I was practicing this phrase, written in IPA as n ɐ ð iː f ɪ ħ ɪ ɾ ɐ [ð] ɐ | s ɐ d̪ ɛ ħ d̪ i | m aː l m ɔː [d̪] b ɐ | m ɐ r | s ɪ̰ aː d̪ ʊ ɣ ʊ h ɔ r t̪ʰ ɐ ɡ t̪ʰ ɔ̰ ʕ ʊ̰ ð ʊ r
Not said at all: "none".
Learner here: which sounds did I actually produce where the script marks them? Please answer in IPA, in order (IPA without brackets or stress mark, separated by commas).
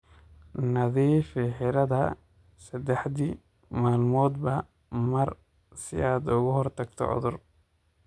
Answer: ð, d̪